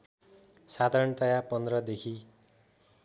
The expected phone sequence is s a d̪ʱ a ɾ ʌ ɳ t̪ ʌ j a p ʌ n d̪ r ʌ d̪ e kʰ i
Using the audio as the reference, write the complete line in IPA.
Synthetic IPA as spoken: s a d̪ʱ a ɾ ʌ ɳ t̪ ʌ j a p ʌ n d̪ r ʌ d̪ e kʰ i

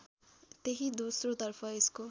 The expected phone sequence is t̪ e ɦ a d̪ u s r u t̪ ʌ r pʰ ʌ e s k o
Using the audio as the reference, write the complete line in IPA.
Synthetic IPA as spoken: t̪ e ɦ i d̪ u s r o t̪ ʌ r pʰ ʌ e s k o

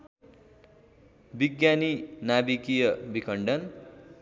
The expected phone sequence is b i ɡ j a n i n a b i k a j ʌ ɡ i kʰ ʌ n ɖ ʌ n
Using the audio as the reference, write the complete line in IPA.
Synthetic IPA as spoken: b i ɡ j a n i n a b i k i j ʌ b i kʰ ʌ ɳ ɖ ʌ n

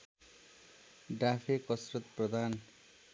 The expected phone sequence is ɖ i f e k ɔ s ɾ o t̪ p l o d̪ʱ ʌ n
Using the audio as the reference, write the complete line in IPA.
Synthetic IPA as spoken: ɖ a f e k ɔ s ɾ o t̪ p ɾ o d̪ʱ a n

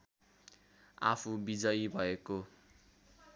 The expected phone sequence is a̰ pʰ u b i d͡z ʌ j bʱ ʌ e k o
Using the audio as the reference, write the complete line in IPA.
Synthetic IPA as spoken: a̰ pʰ u b i d͡z ʌ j bʱ ʌ e k o

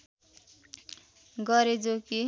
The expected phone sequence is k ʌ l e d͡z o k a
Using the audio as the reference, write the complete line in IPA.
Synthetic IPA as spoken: ɡ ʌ ɾ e d͡z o k i

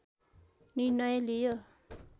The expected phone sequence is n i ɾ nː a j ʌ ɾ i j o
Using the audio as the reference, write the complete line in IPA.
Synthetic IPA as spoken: n i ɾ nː ʌ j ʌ l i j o

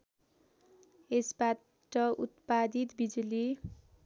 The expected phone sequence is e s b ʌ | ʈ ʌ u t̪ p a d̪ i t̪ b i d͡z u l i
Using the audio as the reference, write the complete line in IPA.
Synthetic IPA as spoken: e s b a | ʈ ʌ u t̪ p a d̪ i t̪ b i d͡z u l i

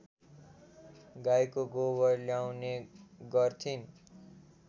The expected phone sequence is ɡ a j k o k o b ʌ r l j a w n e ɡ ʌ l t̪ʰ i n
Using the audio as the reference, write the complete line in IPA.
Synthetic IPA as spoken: ɡ a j k o ɡ o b ʌ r l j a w n e ɡ ʌ r t̪ʰ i n

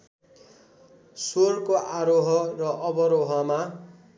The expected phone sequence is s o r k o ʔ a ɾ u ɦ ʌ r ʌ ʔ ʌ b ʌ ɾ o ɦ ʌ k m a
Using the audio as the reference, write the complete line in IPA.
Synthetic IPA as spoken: s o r k o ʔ a ɾ o ɦ ʌ r ʌ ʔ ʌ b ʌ ɾ o ɦ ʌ m a

